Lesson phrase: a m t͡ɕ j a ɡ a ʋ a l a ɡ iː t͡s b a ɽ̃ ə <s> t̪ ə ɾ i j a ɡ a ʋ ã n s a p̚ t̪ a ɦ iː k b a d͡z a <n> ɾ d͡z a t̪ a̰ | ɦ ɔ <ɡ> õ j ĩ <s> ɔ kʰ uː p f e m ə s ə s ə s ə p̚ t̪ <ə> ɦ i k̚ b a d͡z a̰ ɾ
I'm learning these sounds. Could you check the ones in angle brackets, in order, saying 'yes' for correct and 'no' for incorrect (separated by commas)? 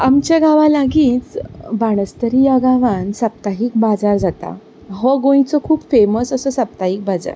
yes, no, yes, no, no